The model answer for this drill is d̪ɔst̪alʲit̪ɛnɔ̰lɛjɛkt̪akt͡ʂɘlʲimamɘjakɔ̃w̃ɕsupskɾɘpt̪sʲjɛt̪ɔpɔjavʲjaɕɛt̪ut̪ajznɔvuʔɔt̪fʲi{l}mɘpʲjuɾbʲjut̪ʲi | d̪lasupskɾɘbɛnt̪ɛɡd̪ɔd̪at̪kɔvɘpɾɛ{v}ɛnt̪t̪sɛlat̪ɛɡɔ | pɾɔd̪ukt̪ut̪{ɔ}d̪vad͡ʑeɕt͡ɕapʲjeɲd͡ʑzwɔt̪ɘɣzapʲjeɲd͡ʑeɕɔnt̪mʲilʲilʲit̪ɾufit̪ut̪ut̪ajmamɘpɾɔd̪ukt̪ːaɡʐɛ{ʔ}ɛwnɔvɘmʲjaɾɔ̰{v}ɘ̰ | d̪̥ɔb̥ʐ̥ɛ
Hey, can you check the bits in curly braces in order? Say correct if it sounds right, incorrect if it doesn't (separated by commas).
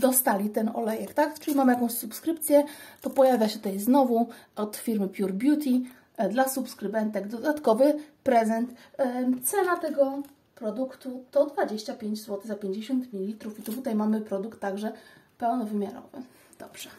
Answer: incorrect, incorrect, correct, incorrect, correct